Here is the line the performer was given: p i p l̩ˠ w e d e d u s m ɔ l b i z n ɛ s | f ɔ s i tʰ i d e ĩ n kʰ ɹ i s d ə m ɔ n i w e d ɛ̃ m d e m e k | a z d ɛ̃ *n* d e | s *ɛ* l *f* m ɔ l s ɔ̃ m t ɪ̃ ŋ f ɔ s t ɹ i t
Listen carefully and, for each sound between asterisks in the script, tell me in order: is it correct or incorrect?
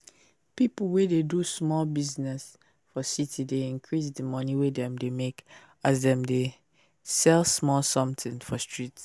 incorrect: m, correct, incorrect: s

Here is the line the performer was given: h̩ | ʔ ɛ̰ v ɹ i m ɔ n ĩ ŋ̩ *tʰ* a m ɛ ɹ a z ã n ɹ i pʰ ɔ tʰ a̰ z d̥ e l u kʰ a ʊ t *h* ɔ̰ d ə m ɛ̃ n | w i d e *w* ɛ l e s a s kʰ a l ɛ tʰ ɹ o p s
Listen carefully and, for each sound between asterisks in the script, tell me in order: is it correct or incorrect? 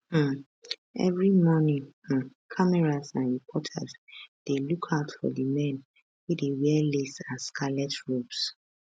incorrect: kʰ, incorrect: f, correct

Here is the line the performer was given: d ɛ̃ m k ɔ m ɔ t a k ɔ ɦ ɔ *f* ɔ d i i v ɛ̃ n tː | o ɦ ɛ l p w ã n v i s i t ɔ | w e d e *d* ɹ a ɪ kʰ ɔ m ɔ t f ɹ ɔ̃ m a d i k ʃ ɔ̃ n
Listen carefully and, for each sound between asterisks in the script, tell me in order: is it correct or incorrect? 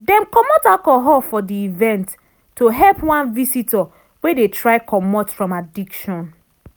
correct, incorrect: t

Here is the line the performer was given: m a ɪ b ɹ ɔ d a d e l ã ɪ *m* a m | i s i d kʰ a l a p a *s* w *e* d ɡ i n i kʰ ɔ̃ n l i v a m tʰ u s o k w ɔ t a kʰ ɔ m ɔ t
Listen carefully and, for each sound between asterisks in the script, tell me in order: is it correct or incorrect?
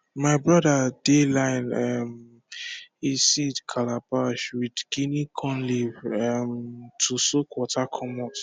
incorrect: n, incorrect: ʃ, incorrect: i

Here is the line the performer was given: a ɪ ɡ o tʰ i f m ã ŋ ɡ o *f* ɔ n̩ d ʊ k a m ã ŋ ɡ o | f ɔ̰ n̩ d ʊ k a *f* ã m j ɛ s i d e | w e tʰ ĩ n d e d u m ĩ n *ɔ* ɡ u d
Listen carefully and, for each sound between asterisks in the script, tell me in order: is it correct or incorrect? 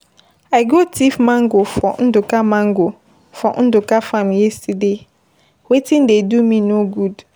correct, correct, incorrect: o

